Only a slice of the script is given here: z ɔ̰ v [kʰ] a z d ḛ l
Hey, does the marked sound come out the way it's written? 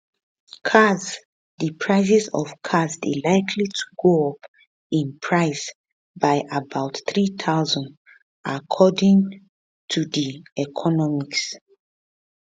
yes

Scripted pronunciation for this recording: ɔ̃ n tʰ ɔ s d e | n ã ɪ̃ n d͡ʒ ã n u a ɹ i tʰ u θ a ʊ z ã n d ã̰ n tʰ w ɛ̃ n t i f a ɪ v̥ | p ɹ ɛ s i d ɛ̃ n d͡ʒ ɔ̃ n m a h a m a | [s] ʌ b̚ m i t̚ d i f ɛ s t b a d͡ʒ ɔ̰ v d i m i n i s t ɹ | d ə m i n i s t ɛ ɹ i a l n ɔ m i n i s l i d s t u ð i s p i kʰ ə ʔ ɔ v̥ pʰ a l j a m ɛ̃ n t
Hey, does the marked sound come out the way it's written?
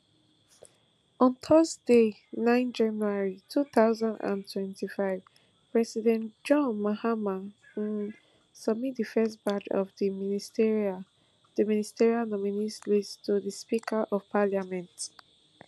yes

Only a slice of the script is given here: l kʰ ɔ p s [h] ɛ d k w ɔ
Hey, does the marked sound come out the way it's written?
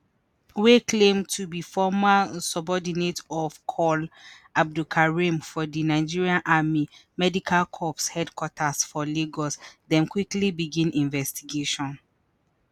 yes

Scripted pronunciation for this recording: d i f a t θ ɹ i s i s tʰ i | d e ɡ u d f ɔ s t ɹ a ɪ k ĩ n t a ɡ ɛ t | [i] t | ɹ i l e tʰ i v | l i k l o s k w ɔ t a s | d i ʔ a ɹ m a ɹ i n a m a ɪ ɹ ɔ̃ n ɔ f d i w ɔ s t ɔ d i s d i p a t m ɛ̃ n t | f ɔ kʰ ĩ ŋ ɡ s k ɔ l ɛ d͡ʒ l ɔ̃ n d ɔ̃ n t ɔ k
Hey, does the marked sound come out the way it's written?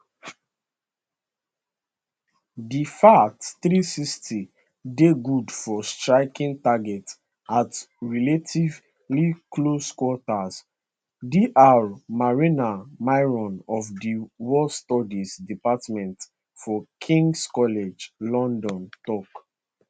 no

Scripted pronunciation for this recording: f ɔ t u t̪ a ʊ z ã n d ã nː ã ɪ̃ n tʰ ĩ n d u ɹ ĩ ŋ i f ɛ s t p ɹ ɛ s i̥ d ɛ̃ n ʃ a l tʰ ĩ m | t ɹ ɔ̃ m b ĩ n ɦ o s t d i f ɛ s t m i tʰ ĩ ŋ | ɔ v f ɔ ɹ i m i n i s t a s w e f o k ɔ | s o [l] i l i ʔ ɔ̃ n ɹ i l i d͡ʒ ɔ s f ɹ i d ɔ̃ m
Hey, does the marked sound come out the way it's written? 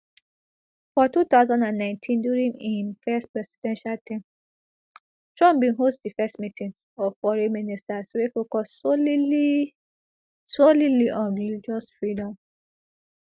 yes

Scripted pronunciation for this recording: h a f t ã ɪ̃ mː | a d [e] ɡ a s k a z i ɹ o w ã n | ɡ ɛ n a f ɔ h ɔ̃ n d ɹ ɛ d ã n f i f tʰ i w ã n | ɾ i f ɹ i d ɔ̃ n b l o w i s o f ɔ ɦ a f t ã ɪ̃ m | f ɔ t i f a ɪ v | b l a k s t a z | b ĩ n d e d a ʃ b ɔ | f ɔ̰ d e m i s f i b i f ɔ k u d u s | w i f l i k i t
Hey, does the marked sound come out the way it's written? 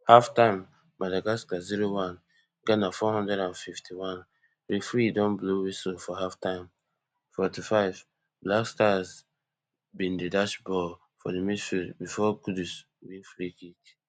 no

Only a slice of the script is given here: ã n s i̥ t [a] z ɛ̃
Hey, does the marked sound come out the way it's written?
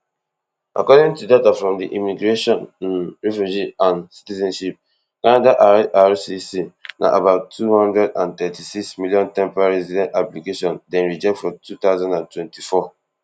no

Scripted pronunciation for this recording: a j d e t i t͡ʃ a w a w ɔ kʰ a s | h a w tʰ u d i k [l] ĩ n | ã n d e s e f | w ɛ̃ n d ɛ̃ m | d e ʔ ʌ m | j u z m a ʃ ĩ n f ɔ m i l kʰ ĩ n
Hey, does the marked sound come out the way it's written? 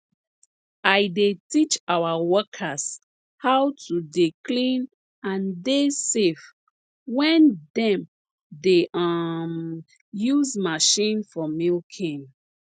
yes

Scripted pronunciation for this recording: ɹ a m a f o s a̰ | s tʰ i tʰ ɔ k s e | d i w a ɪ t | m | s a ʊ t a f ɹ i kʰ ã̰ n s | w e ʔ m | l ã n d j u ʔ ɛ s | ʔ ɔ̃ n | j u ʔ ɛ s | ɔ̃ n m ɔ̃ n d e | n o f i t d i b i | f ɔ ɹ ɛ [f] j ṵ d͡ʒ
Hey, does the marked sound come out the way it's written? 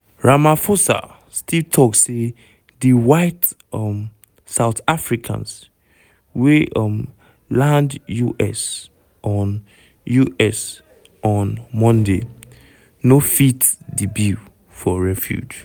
yes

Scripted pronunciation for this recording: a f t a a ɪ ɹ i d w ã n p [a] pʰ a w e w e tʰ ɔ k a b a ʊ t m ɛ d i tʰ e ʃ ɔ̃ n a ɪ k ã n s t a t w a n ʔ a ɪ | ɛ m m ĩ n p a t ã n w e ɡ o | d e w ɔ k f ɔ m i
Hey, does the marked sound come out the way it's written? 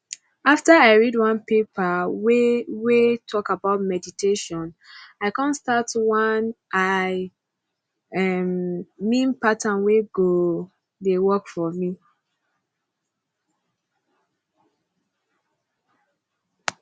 no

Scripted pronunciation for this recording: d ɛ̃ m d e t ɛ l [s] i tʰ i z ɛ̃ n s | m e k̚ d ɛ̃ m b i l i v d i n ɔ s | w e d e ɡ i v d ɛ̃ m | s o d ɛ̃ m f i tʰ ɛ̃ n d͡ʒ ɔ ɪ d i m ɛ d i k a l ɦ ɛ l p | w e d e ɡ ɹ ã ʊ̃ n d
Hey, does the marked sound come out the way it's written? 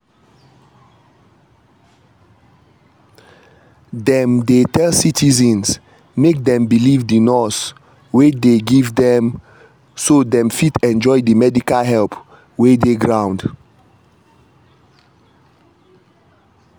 yes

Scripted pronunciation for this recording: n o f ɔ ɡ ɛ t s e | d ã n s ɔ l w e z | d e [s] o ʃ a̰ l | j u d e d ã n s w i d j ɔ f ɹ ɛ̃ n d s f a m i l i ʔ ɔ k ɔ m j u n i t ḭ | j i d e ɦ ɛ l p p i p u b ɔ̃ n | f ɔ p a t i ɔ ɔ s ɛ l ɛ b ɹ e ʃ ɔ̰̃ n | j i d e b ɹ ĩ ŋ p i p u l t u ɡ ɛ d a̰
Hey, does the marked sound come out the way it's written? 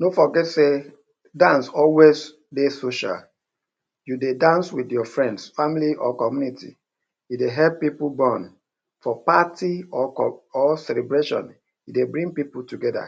yes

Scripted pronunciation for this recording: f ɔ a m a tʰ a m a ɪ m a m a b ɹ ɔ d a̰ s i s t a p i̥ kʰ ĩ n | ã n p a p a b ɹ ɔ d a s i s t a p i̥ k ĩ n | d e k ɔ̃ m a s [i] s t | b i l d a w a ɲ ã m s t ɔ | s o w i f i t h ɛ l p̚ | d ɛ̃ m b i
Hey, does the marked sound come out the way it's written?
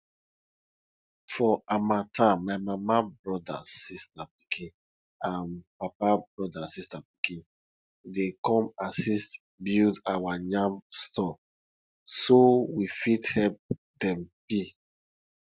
yes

